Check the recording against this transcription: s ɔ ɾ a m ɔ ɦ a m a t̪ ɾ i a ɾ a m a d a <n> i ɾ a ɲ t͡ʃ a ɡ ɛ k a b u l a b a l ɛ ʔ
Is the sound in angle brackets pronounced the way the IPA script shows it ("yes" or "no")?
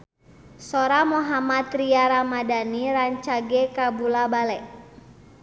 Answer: yes